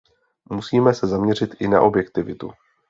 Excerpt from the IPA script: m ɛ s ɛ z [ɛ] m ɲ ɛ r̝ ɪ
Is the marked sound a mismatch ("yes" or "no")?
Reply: yes